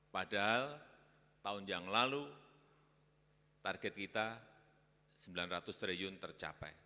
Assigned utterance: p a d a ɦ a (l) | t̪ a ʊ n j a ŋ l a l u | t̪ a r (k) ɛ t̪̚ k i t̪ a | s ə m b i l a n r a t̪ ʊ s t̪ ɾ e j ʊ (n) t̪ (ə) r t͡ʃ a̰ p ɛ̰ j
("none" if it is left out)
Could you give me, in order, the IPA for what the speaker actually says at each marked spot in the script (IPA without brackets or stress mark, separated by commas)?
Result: l, ɡ, n, ə